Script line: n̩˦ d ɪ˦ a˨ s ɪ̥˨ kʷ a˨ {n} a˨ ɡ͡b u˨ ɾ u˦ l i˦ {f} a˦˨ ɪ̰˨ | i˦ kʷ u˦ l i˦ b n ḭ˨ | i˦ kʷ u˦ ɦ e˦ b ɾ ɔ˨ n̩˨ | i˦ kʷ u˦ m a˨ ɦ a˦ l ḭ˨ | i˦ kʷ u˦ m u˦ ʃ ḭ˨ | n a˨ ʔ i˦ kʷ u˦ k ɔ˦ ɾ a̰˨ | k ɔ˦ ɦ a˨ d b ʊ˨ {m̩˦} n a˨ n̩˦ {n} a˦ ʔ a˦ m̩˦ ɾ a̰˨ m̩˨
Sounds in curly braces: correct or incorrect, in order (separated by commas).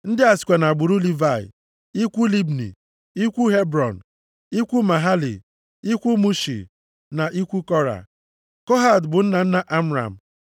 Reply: correct, incorrect, incorrect, correct